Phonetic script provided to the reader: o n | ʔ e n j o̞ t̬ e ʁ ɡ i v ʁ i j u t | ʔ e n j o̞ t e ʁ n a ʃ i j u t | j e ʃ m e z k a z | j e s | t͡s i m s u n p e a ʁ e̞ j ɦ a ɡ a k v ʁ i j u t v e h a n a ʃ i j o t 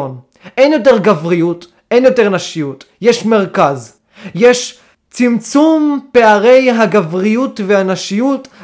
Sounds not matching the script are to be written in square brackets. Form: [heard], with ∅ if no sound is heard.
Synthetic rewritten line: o n | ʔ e n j o̞ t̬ e ʁ ɡ [a] v ʁ i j u t | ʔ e n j o̞ t e ʁ n a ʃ i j u t | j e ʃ m e [ʁ] k a z | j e [ʃ] | t͡s i m [t͡s] u [m] p e a ʁ e̞ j ɦ a ɡ a [∅] v ʁ i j u t v e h a n a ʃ i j [u] t